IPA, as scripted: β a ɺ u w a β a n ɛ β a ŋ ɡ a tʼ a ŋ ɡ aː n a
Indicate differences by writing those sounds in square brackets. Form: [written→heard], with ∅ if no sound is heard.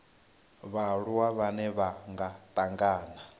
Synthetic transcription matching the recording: β a ɺ u w a β a n ɛ β a ŋ ɡ a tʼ a ŋ ɡ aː n a